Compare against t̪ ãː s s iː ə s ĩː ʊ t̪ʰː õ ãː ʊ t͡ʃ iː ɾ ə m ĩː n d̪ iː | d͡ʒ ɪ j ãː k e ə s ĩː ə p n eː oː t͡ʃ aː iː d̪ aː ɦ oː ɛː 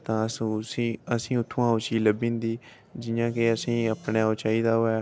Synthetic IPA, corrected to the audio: t̪ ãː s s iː ə s ĩː ʊ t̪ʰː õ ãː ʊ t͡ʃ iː l ə b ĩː n d̪ iː | d͡ʒ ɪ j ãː k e ə s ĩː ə p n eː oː t͡ʃ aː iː d̪ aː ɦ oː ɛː